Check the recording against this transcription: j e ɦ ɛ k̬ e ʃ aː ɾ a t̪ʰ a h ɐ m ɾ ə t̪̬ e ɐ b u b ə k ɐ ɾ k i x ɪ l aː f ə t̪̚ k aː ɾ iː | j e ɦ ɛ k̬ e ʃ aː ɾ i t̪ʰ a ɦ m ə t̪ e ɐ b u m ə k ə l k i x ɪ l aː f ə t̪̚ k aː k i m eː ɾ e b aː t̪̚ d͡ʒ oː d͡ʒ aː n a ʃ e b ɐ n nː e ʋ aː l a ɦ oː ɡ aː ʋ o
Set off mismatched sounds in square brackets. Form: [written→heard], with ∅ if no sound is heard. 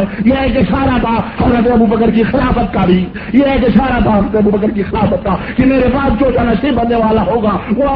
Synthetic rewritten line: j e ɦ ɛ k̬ e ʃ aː ɾ a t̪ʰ a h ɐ m ɾ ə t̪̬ e ɐ b u b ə k [ɐ→ə] ɾ k i x ɪ l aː f ə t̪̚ k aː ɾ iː | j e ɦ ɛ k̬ e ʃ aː ɾ [i→a] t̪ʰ a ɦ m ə t̪ e ɐ b u [m→b] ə k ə [l→ɾ] k i x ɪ l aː f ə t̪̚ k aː k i m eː ɾ e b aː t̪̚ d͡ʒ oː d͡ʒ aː n a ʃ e b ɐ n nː e ʋ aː l a ɦ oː ɡ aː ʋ o